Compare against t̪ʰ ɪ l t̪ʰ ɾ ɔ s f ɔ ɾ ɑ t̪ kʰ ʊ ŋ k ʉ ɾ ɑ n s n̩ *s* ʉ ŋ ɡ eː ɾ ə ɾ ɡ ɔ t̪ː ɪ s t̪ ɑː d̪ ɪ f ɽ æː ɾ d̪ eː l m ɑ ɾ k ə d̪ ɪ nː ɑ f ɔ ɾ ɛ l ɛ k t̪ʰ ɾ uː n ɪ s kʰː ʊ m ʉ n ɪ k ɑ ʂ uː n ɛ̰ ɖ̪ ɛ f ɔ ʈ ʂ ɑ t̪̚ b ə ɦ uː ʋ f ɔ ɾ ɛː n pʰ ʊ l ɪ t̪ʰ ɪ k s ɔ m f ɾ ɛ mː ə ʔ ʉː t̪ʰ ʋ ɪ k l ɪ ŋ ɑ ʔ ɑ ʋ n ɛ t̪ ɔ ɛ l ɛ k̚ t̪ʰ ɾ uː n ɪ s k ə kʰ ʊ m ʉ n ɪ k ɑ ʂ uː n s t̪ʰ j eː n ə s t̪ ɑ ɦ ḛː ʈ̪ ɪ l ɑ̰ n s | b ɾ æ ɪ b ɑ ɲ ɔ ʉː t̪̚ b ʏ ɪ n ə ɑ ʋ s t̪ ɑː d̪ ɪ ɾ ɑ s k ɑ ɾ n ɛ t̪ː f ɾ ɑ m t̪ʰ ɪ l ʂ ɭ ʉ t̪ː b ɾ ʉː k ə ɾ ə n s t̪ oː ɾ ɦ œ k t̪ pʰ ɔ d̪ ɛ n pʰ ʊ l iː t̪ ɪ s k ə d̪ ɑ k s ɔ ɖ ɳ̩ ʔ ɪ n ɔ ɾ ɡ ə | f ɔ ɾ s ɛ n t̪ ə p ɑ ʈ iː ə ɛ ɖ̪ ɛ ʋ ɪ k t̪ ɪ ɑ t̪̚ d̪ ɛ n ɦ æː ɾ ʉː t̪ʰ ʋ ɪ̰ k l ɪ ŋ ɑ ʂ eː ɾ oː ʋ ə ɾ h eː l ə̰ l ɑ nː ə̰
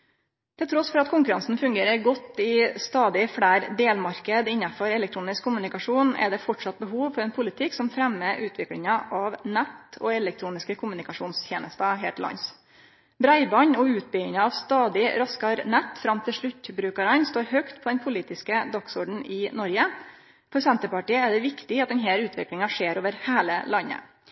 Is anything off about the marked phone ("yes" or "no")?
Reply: yes